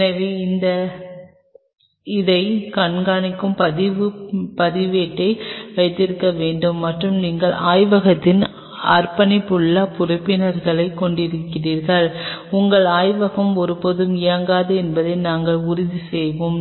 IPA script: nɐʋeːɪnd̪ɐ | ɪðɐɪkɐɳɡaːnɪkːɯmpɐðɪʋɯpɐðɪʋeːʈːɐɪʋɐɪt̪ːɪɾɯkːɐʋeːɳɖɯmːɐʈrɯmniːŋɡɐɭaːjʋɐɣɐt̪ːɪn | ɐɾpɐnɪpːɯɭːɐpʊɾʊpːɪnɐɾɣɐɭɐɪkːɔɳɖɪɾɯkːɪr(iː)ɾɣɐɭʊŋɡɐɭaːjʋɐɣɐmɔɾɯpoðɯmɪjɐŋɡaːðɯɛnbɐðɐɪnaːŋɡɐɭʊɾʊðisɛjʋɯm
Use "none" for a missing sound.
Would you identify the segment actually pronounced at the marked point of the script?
iː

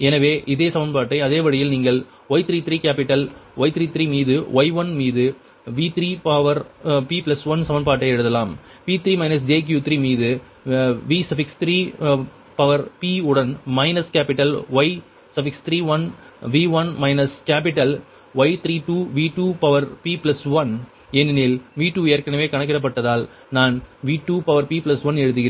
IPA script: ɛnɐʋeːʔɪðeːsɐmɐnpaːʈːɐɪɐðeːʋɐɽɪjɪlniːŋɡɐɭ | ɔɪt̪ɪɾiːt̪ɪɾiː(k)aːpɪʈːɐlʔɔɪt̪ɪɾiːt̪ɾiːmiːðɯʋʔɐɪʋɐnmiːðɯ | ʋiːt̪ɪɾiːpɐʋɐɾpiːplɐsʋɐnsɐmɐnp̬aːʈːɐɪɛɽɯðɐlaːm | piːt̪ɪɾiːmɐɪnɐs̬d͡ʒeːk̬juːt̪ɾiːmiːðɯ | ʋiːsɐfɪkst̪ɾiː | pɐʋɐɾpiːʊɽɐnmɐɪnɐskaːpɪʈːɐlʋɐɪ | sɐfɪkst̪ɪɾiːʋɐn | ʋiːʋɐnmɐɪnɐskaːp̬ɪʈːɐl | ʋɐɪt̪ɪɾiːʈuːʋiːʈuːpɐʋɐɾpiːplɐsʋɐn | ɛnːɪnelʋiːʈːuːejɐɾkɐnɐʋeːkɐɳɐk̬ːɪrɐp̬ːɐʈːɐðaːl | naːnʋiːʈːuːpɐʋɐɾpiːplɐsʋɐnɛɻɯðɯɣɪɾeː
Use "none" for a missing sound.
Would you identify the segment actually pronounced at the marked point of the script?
k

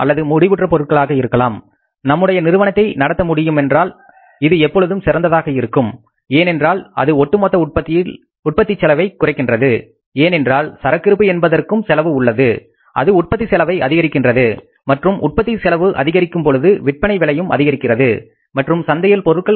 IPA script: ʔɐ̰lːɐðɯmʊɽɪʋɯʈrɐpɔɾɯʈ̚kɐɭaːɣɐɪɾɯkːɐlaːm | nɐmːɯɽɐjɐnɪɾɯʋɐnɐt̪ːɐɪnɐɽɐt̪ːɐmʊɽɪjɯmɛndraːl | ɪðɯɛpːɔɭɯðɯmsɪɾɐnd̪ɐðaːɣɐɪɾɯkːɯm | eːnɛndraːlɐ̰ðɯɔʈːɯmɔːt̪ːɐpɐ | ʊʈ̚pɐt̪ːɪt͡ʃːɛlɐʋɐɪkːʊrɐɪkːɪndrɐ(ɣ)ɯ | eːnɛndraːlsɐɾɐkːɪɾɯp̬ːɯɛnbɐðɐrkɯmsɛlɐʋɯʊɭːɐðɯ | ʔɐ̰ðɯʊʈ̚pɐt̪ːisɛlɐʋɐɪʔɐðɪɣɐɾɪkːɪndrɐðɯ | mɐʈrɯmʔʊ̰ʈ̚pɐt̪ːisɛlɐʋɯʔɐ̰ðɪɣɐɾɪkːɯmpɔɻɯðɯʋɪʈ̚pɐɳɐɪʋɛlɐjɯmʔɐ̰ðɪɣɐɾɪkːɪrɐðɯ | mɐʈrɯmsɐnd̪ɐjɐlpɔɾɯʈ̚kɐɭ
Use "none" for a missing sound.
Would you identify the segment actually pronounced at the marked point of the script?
ð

